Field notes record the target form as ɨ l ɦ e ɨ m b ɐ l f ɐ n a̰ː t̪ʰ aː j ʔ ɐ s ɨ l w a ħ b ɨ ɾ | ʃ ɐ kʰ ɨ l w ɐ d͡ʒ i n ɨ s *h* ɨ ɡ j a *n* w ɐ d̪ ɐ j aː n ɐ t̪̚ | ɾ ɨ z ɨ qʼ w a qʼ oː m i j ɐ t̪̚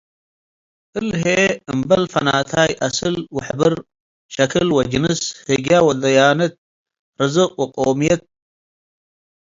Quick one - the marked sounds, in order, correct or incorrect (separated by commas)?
correct, incorrect